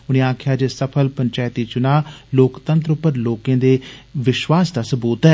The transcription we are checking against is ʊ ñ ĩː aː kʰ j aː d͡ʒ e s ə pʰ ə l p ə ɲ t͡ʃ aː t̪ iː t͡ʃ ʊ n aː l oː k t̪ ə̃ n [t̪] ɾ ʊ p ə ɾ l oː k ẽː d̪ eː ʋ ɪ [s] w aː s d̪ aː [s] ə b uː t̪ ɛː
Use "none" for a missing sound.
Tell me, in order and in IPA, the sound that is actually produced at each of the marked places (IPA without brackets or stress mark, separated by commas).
t̪, ʃ, s